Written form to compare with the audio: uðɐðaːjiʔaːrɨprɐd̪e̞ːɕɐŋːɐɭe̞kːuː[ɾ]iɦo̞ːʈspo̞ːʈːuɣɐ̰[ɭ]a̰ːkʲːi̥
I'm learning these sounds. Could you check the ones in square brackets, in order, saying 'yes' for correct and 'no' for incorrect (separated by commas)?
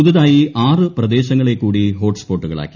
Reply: no, yes